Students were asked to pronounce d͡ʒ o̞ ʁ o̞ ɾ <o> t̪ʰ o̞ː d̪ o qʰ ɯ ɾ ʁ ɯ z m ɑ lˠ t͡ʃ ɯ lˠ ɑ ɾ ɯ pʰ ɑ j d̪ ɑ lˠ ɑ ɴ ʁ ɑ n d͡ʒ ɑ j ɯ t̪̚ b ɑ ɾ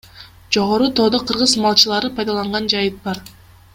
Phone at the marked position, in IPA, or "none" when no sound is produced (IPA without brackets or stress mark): u